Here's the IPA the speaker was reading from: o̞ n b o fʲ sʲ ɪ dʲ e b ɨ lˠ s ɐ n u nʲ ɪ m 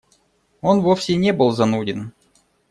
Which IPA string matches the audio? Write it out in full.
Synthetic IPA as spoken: o̞ n v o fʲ sʲ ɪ nʲ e b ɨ lˠ z ɐ n u dʲ ɪ n

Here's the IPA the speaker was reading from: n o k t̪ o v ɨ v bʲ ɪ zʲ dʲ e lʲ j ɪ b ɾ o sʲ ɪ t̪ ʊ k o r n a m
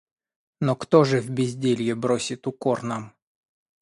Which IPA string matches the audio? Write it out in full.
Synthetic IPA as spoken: n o k t̪ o ʐ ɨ v bʲ ɪ zʲ dʲ e lʲ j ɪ b ɾ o sʲ ɪ t̪ ʊ k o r n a m

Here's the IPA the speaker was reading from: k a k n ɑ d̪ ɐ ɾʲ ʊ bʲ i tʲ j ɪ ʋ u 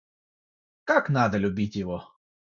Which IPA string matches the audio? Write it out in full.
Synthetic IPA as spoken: k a k n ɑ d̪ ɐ lʲ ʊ bʲ i tʲ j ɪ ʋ ɔ

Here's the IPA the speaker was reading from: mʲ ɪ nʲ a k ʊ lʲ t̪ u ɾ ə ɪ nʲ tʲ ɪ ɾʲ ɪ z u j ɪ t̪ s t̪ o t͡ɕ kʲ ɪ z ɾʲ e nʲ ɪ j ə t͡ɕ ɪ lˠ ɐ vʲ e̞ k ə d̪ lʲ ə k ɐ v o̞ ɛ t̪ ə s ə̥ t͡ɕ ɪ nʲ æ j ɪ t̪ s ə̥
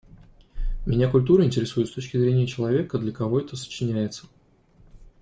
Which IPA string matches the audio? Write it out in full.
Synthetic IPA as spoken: mʲ ɪ nʲ a k ʊ lʲ t̪ u ɾ ə ɪ nʲ tʲ ɪ ɾʲ ɪ s u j ɪ t̪ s t̪ o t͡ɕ kʲ ɪ z ɾʲ e nʲ ɪ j ə t͡ɕ ɪ lˠ ɐ vʲ e̞ k ə d̪ lʲ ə k ɐ v o̞ ɛ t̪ ə s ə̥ t͡ɕ ɪ nʲ æ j ɪ t̪ s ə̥

